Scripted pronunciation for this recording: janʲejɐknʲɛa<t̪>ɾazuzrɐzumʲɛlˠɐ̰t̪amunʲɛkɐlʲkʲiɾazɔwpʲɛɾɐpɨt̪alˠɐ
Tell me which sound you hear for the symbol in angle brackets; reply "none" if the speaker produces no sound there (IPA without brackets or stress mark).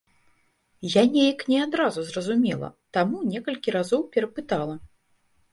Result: d̪